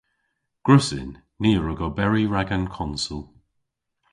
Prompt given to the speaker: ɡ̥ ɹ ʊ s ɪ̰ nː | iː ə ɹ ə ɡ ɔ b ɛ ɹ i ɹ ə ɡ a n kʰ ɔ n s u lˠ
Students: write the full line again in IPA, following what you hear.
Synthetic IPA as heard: ɡ̥ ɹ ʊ s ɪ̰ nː | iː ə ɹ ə ɡ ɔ b ɛ ɹ i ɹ a ɡ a n kʰ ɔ n s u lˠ